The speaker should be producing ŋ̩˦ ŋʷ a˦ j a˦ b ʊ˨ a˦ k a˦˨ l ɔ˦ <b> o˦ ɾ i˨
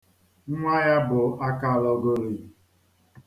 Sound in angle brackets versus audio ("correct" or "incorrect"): incorrect